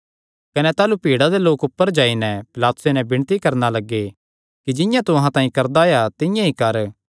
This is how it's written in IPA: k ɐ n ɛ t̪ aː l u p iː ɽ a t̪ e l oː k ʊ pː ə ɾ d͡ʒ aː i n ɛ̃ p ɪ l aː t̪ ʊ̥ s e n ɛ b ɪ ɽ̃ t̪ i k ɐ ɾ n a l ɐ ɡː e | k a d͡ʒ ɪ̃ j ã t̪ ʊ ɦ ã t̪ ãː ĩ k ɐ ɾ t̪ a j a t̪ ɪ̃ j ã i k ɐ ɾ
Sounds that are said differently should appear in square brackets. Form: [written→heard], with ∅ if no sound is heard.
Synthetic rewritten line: k ɐ n ɛ t̪ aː l u p iː ɽ a [t̪→d̪] e l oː k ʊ pː ə ɾ d͡ʒ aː i n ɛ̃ p ɪ l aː t̪ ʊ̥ s e n ɛ b ɪ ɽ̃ t̪ i k ɐ ɾ n a l ɐ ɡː e | k [a→i] d͡ʒ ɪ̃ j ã t̪ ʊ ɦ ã t̪ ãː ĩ k ɐ ɾ [t̪→d̪] a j a t̪ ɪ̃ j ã i k ɐ ɾ

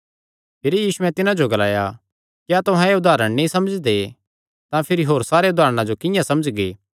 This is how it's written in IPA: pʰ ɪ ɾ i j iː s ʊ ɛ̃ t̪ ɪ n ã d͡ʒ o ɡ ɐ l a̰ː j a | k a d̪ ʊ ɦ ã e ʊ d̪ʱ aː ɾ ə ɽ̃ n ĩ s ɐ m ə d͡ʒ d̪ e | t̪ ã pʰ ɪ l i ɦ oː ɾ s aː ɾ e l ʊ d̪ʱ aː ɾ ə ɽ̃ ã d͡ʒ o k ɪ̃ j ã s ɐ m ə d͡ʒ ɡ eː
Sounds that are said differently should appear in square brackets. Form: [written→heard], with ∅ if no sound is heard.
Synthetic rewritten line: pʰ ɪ ɾ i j iː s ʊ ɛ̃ t̪ ɪ n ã d͡ʒ o ɡ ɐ l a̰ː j a | k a [d̪→t̪] ʊ ɦ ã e ʊ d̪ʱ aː ɾ ə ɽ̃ n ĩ s ɐ m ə d͡ʒ d̪ e | t̪ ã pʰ ɪ [l→ɾ] i ɦ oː ɾ s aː ɾ e [l→∅] ʊ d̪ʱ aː ɾ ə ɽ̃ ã d͡ʒ o k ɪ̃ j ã s ɐ m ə d͡ʒ ɡ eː

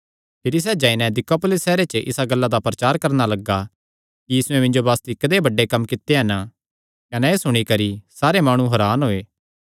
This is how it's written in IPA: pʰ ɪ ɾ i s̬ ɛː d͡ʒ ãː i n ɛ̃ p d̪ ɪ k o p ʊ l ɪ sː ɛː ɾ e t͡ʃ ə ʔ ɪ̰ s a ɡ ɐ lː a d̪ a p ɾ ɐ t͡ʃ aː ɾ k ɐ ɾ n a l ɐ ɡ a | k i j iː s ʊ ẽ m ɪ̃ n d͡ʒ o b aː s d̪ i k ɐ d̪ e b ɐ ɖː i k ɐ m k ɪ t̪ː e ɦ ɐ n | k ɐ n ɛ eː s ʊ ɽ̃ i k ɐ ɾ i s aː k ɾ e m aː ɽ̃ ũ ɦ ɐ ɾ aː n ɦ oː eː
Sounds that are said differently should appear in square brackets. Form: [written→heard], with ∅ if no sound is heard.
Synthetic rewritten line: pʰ ɪ ɾ i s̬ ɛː d͡ʒ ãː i n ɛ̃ [p→∅] d̪ ɪ k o p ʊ l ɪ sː ɛː ɾ e t͡ʃ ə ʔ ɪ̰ s a ɡ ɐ lː a d̪ a p ɾ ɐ t͡ʃ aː ɾ k ɐ ɾ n a l ɐ ɡ a | k i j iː s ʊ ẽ m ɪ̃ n d͡ʒ o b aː s [d̪→t̪] i k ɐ d̪ e b ɐ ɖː [i→e] k ɐ m k ɪ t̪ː e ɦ ɐ n | k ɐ n ɛ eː s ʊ ɽ̃ i k ɐ ɾ i s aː [k→∅] ɾ e m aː ɽ̃ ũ ɦ ɐ ɾ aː n ɦ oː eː

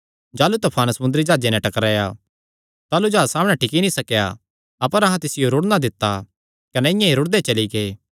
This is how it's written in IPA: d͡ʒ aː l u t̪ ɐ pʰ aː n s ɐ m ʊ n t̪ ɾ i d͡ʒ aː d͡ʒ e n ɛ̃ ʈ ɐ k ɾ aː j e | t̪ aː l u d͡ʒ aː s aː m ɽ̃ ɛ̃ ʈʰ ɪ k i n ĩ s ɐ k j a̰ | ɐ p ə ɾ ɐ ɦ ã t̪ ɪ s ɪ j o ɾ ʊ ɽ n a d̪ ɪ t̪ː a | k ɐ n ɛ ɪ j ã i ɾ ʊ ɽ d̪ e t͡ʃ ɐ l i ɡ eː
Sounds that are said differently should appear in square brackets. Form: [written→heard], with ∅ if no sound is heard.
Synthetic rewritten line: d͡ʒ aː l u t̪ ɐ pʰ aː n s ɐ m ʊ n [t̪→d̪] ɾ i d͡ʒ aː d͡ʒ e n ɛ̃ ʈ ɐ k ɾ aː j [e→a] | t̪ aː l u d͡ʒ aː s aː m ɽ̃ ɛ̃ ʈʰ ɪ k i n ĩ s ɐ k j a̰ | ɐ p ə ɾ ɐ ɦ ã t̪ ɪ s ɪ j o ɾ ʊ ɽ n a d̪ ɪ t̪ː a | k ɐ n ɛ ɪ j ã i ɾ ʊ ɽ d̪ e t͡ʃ ɐ l i ɡ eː

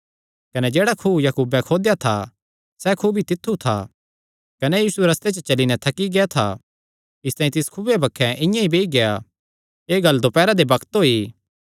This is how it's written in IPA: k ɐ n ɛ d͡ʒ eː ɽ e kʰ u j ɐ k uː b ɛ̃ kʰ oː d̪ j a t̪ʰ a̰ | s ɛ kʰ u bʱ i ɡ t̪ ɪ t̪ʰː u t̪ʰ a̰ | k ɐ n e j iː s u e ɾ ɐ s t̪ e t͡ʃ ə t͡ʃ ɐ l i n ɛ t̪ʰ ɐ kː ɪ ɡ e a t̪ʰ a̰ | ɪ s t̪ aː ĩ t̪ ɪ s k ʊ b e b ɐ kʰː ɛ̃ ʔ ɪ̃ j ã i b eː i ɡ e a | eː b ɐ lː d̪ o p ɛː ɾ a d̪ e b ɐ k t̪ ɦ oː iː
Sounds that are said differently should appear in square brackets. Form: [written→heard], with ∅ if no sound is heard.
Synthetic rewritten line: k ɐ n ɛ d͡ʒ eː ɽ [e→a] kʰ u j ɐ k uː b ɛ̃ kʰ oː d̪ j a t̪ʰ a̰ | s ɛ kʰ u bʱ i [ɡ→∅] t̪ ɪ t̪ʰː u t̪ʰ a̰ | k ɐ n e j iː s u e ɾ ɐ s t̪ e t͡ʃ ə t͡ʃ ɐ l i n ɛ t̪ʰ ɐ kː [ɪ→i] ɡ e a t̪ʰ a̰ | ɪ s t̪ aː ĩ t̪ ɪ s [k→kʰ] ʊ b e b ɐ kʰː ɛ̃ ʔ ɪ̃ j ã i b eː i ɡ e a | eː [b→ɡ] ɐ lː d̪ o p ɛː ɾ a d̪ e b ɐ k t̪ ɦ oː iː

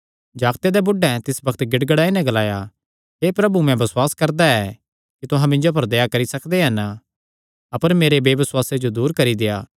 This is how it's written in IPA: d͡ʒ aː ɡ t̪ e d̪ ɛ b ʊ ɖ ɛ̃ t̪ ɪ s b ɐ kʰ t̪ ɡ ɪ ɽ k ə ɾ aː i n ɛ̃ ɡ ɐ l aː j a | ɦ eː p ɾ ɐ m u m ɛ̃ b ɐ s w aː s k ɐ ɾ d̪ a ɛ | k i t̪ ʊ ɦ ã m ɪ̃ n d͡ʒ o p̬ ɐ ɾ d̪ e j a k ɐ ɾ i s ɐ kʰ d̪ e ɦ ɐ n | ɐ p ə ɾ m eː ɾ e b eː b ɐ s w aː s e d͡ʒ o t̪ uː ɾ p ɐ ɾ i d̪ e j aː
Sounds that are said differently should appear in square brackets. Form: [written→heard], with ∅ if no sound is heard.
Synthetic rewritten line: d͡ʒ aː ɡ t̪ e d̪ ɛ b ʊ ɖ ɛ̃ t̪ ɪ s b ɐ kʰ t̪ ɡ ɪ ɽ [k→ɡ] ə [ɾ→ɽ] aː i n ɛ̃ ɡ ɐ l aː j a | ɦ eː p ɾ ɐ [m→b] u m ɛ̃ b ɐ s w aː s k ɐ ɾ d̪ a ɛ | k i t̪ ʊ ɦ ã m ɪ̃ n d͡ʒ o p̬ ɐ ɾ d̪ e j a k ɐ ɾ i s ɐ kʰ d̪ e ɦ ɐ n | ɐ p ə ɾ m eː ɾ e b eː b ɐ s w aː s e d͡ʒ o [t̪→d̪] uː ɾ [p→k] ɐ ɾ i d̪ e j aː

